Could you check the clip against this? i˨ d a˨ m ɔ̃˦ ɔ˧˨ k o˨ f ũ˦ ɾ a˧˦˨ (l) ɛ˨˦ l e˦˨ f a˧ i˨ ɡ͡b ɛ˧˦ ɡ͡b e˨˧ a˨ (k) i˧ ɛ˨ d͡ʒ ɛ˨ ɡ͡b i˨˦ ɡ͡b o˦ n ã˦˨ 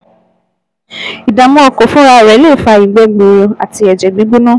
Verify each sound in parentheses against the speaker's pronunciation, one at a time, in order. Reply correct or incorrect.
incorrect: ɾ, incorrect: t

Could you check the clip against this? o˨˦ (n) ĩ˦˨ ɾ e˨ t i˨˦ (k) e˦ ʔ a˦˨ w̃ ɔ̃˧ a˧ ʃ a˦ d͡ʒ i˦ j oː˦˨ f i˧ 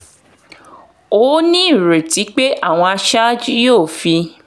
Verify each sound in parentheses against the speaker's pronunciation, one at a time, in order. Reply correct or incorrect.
correct, incorrect: k͡p

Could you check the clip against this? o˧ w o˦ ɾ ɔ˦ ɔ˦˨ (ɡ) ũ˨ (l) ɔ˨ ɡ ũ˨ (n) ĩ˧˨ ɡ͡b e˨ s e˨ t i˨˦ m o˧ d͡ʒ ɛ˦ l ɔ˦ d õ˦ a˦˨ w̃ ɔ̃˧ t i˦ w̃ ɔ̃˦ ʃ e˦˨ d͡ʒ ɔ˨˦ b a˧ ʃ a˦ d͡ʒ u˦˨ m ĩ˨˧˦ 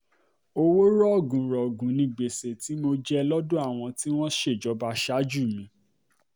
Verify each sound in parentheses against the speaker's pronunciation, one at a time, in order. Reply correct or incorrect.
correct, incorrect: ɾ, correct

